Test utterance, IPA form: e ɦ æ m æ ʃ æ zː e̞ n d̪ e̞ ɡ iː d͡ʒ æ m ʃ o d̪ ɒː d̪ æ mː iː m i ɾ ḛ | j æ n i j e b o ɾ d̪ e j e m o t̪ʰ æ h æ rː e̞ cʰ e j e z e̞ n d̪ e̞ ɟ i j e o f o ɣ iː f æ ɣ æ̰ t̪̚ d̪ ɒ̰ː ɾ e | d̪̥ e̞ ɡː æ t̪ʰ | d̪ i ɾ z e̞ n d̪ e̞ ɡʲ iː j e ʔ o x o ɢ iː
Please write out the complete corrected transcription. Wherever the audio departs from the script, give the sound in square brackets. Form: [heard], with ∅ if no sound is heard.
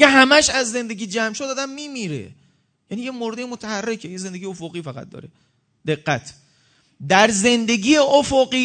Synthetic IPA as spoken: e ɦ æ m æ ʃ æ zː e̞ n d̪ e̞ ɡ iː d͡ʒ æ m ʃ o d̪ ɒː d̪ æ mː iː m i ɾ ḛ | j æ n i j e [m] o ɾ d̪ e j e m o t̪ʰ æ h æ rː e̞ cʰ e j e z e̞ n d̪ e̞ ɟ i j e o f o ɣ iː f æ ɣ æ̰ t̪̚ d̪ ɒ̰ː ɾ e | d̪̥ e̞ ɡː æ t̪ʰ | d̪ [æ] ɾ z e̞ n d̪ e̞ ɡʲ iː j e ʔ o [f] o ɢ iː